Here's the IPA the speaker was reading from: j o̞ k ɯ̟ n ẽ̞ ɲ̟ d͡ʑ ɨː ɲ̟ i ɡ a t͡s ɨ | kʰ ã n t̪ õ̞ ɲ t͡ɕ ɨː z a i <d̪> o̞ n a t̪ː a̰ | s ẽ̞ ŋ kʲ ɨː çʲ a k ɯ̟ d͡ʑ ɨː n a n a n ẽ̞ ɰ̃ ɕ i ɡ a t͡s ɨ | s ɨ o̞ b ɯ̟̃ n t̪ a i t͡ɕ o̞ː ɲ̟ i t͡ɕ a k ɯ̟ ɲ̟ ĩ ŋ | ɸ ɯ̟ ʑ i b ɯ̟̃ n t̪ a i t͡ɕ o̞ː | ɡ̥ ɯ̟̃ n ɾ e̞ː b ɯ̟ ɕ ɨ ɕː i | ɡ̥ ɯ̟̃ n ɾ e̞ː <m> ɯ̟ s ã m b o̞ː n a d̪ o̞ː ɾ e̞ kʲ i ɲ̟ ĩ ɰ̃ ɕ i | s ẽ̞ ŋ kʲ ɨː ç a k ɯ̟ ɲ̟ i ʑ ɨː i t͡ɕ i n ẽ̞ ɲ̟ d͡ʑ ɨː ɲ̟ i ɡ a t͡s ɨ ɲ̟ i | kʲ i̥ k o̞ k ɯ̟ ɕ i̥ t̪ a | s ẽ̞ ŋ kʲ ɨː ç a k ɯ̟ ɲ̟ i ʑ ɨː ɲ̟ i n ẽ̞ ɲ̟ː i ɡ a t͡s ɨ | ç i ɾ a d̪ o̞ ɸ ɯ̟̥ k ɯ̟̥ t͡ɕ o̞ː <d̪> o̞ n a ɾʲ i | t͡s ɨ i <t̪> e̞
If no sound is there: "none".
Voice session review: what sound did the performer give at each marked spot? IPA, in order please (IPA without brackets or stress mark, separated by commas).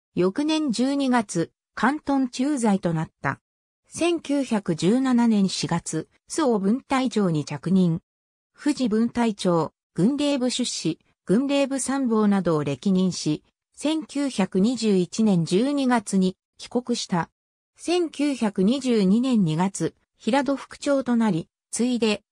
t̪, b, t̪, d̪